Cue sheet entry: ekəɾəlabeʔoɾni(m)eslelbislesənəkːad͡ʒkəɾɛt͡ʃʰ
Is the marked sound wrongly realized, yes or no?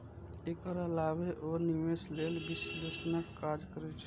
no